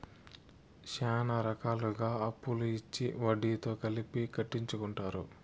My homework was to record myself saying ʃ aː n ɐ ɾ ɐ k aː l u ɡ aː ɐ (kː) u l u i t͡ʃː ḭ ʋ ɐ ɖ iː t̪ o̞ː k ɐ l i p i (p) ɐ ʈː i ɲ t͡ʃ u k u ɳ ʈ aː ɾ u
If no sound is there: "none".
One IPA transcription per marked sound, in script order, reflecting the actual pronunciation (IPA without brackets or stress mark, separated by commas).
pː, k